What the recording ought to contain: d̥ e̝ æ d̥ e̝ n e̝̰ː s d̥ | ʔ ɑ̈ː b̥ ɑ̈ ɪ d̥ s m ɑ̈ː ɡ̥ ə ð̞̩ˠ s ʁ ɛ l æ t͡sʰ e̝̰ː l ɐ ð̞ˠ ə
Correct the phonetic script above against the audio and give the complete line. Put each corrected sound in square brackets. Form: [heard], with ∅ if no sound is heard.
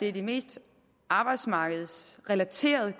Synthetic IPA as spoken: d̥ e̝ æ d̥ e̝ [m] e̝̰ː s d̥ | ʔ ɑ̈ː b̥ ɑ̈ ɪ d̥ s m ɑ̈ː ɡ̥ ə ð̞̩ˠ s ʁ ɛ l æ t͡sʰ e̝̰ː [∅] ɐ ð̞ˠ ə